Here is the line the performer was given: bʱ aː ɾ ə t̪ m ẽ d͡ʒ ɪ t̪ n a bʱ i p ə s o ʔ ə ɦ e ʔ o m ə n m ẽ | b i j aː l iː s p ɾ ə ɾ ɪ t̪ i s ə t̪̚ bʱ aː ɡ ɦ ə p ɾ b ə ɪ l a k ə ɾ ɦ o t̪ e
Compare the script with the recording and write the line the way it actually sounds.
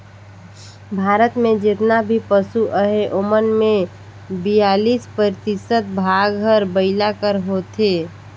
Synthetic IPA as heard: bʱ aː ɾ ə t̪ m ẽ d͡ʒ ɪ t̪ n a bʱ i p ə s u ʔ ə ɦ e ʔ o m ə n m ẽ | b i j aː l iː s p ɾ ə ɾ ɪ t̪ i s ə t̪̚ bʱ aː ɡ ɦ ə ɾ b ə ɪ l a k ə ɾ ɦ o t̪ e